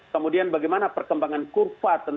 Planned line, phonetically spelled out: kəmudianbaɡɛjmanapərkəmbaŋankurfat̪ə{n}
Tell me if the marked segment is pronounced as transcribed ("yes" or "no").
yes